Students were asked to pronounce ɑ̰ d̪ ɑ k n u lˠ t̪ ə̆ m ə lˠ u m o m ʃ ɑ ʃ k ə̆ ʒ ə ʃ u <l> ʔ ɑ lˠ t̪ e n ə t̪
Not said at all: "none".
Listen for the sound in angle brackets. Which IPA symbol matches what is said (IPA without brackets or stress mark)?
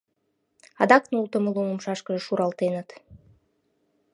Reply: ɾ